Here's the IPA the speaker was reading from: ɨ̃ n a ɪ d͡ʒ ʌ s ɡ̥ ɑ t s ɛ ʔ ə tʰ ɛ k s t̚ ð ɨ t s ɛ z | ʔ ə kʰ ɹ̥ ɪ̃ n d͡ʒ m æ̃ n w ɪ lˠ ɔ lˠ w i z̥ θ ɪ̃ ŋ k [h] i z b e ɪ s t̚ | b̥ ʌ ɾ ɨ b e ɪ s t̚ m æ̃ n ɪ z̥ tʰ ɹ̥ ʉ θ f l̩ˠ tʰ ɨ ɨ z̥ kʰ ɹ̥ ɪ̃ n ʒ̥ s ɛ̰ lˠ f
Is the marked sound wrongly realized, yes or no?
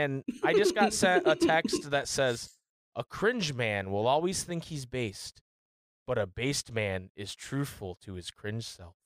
no